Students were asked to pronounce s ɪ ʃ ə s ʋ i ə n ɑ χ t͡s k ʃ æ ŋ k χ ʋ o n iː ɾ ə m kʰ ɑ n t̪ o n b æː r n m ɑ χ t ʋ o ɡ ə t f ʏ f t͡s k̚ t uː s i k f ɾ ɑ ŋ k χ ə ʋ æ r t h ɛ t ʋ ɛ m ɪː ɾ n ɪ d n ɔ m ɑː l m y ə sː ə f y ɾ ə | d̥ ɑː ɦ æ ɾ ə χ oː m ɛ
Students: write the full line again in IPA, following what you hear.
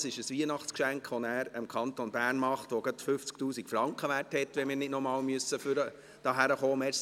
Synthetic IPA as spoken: s ɪ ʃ ə s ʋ i ə n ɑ χ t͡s k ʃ æ ŋ k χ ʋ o n æː ɾ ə m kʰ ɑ n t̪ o n b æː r n m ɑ χ t ʋ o ɡ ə t f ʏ f t͡s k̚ t uː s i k f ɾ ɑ ŋ k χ ə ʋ æ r t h ɛ t ʋ ɛ m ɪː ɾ n ɪ d n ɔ m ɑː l m y ə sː ə f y ɾ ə | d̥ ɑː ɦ æ ɾ ə χ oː m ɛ